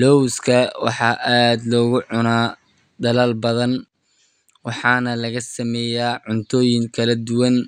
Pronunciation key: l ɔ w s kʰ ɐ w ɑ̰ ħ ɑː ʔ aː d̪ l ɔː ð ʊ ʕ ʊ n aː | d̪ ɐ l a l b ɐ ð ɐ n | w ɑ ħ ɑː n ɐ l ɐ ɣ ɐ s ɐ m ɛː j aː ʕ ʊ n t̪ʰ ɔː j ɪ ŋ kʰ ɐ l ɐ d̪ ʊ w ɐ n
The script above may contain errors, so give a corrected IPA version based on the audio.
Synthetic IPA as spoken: l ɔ w s kʰ ɐ w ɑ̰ ħ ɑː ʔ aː d̪ l ɔː ɣ ʊ ʕ ʊ n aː | d̪ ɐ l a l b ɐ ð ɐ n | w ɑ ħ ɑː n ɐ l ɐ ɣ ɐ s ɐ m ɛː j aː ʕ ʊ n t̪ʰ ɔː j ɪ ŋ kʰ ɐ l ɐ d̪ ʊ w ɐ n